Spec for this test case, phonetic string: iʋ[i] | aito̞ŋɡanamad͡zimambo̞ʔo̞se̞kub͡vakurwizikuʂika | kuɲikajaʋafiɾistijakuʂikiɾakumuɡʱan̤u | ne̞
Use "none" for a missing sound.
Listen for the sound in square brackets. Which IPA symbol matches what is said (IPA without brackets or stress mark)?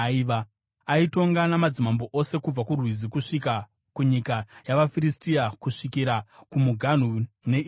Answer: a